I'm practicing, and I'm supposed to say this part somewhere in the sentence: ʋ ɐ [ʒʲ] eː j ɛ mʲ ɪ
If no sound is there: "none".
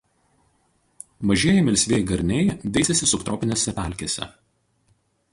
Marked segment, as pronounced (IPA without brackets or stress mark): ʒʲ